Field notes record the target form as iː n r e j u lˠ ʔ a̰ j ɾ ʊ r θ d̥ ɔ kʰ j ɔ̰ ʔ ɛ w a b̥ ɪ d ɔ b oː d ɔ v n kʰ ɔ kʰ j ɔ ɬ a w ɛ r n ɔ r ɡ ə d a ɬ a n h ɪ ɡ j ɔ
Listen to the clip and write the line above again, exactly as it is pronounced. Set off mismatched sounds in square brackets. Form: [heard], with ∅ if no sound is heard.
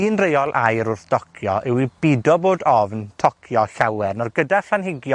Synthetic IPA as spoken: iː n r e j [ɔ] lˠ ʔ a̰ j ɾ ʊ r θ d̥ ɔ kʰ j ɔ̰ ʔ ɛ w [i] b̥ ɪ d ɔ b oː d ɔ v n [tʰ] ɔ kʰ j ɔ ɬ a w ɛ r n ɔ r ɡ ə d a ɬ a n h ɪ ɡ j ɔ